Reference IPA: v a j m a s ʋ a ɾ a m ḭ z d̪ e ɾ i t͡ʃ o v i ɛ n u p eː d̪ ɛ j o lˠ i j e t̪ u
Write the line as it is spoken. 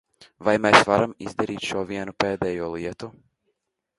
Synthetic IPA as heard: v a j m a s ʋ a ɾ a m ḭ z d̪ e ɾ i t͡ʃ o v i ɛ n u p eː d̪ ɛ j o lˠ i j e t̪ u

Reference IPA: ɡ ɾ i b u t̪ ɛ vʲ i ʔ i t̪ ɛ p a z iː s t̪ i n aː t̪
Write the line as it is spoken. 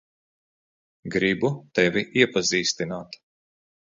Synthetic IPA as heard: ɡ ɾ i b u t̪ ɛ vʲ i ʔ i ɛ p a z iː s t̪ i n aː t̪

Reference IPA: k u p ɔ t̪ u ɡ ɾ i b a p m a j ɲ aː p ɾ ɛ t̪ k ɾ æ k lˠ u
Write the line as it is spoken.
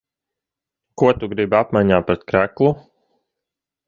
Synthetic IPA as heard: k u ɔ t̪ u ɡ ɾ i b a p m a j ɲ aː p ɾ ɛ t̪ k ɾ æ k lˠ u

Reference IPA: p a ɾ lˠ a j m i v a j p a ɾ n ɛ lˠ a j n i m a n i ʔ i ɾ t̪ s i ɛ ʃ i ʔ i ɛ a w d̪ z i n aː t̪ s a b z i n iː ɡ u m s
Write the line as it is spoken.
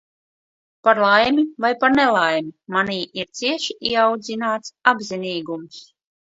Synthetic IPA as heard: p a ɾ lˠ a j m i v a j p a ɾ n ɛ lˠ a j m i m a n iː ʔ i ɾ t̪ s i ɛ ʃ i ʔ i ɛ a w d̪ z i n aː t̪ s a b z i n iː ɡ u m s

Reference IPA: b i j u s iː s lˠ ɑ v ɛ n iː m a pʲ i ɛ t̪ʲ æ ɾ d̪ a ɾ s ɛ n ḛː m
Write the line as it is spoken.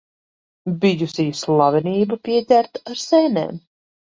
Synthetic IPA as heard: b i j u s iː s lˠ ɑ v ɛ n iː b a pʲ i ɛ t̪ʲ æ ɾ t̪ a ɾ s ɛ n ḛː m

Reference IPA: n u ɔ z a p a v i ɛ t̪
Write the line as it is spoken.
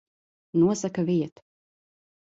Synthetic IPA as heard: n u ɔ s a k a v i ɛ t̪

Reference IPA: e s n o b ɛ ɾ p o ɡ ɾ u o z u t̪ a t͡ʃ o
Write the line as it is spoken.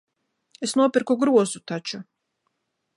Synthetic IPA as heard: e s n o p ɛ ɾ k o ɡ ɾ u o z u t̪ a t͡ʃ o

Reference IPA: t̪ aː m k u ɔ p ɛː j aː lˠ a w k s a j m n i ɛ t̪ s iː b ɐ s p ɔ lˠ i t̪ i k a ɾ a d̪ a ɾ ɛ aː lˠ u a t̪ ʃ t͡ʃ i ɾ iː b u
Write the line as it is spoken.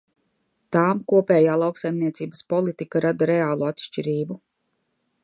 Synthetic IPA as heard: t̪ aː m k u ɔ p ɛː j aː lˠ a w k s a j m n i ɛ t̪ s iː b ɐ s p ɔ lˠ i t̪ i k a ɾ a d̪ a ɾ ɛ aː lˠ u a t̪ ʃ t͡ʃ i ɾ iː b u

